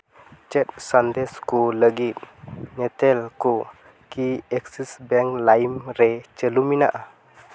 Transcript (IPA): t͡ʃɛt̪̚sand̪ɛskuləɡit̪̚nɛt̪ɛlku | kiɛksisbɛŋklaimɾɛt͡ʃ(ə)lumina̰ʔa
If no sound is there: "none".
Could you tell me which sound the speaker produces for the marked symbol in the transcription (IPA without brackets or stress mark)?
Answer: ə